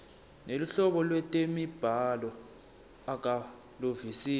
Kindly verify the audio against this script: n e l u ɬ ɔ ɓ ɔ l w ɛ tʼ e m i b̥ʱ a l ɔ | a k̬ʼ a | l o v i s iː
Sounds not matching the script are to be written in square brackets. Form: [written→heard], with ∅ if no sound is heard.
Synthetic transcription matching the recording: n e l u ɬ ɔ ɓ ɔ l w ɛ tʼ e m i b̥ʱ a l ɔ | a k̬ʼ a | l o v i s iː